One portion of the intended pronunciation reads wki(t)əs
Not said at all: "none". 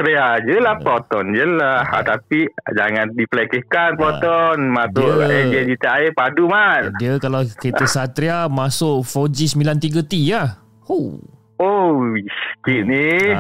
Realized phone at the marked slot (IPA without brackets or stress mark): t